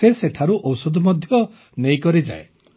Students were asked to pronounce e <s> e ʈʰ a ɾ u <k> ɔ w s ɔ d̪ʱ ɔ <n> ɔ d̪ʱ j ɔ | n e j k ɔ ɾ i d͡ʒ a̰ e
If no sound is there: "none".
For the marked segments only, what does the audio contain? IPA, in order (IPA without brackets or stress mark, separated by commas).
s, ʔ, m